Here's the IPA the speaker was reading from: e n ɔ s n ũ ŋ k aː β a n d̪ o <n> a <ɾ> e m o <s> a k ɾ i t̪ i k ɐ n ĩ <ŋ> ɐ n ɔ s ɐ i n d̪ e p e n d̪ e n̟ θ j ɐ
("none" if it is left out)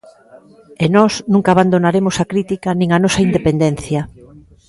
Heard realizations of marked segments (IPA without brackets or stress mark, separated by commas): n, ɾ, s, ŋ